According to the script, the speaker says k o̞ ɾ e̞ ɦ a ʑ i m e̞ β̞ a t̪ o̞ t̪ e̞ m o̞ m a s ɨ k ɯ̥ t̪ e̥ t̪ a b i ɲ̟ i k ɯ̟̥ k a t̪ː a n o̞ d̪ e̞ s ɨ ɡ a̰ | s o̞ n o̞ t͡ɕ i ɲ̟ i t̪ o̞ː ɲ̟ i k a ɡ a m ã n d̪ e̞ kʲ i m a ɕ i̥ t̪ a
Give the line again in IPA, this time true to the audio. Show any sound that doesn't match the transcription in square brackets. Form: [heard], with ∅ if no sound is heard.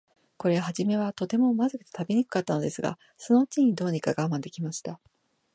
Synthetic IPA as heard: k o̞ ɾ e̞ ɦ a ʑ i m e̞ β̞ a t̪ o̞ t̪ e̞ m o̞ m a [z] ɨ k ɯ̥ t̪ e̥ t̪ a b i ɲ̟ i k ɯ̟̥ k a t̪ː a n o̞ d̪ e̞ s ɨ ɡ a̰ | s o̞ n o̞ t͡ɕ i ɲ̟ i [d̪] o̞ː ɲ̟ i k a ɡ a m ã n d̪ e̞ kʲ i m a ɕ i̥ t̪ a